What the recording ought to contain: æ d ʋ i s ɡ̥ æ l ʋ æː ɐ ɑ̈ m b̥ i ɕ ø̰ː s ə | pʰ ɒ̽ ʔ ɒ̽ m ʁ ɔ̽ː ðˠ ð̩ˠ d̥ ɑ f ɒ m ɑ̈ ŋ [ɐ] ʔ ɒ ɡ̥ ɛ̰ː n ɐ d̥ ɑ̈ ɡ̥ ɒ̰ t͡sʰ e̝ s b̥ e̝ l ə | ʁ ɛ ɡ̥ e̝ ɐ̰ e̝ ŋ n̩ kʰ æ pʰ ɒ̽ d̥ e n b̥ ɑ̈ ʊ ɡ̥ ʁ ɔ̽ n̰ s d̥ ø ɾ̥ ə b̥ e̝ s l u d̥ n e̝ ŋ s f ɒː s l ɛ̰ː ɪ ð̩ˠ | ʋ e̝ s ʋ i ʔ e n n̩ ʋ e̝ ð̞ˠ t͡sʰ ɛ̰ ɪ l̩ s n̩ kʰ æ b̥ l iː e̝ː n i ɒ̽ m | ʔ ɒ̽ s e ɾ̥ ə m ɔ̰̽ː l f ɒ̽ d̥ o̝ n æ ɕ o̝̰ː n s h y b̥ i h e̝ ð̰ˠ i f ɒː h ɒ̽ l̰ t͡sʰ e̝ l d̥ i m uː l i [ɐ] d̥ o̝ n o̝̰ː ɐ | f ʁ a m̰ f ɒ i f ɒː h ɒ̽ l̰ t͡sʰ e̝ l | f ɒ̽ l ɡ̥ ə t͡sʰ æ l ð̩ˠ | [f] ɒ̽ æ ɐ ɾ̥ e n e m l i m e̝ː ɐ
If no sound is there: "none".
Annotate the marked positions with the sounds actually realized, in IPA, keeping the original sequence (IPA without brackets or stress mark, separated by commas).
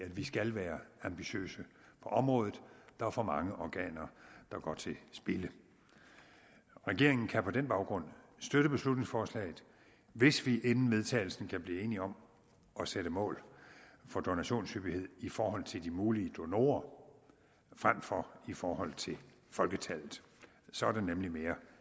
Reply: ə, ə, s